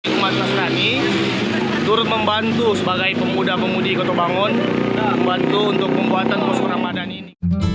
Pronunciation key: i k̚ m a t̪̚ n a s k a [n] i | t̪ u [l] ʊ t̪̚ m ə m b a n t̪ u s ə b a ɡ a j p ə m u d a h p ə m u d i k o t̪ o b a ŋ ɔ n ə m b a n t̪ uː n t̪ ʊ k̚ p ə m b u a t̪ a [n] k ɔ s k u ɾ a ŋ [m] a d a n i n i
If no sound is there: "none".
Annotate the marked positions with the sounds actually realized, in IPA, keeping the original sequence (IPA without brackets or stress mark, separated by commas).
n, ɾ, n, m